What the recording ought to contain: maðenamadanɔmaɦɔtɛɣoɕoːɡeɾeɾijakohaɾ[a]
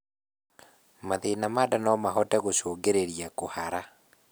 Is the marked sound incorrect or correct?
correct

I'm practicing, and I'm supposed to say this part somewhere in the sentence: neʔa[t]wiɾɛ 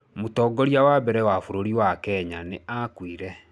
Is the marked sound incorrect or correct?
incorrect: k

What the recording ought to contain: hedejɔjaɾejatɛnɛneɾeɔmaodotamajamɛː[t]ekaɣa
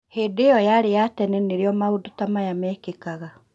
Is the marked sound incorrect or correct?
incorrect: k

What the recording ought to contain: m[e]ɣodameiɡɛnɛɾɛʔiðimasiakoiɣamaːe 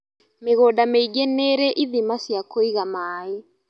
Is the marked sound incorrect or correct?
correct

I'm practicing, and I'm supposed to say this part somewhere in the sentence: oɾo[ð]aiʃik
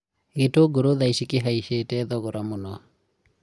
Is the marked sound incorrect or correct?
correct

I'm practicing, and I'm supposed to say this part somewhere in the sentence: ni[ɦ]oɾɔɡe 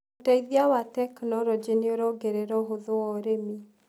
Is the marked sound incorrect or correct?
incorrect: none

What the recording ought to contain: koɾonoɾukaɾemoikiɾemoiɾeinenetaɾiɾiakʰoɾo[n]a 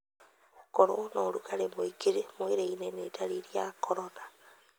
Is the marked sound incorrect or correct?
correct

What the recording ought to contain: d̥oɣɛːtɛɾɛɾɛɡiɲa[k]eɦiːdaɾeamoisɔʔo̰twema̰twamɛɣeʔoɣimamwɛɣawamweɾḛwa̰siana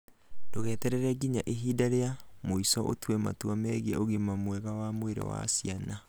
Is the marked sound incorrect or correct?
incorrect: ʔ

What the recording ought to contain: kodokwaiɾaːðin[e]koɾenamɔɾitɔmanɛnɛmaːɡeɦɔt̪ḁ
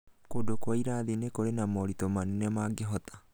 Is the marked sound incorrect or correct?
correct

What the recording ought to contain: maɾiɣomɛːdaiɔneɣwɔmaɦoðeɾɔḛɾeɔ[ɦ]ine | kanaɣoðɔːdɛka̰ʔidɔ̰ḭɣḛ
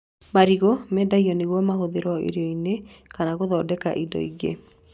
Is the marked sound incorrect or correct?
incorrect: none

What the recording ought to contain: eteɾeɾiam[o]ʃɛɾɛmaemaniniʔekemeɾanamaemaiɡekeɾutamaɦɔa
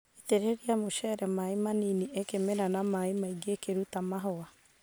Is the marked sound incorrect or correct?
correct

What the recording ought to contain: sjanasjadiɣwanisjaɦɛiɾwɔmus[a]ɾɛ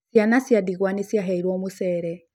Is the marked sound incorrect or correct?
incorrect: ɛ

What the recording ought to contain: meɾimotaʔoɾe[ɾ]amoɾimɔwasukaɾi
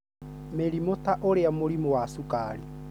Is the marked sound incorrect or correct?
incorrect: none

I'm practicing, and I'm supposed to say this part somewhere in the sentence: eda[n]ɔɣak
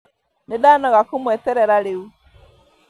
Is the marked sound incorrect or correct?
correct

